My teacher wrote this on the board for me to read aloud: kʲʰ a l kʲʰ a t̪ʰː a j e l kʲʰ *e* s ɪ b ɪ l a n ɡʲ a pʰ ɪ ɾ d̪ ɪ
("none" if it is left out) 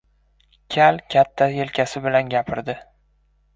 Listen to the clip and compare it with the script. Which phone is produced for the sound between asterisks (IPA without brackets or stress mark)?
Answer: a